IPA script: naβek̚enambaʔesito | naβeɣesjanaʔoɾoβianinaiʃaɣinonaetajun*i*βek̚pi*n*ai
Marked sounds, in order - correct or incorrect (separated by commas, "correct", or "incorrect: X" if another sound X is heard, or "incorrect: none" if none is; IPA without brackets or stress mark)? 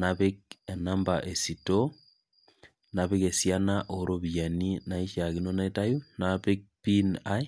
incorrect: a, correct